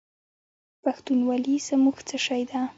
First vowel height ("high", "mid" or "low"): low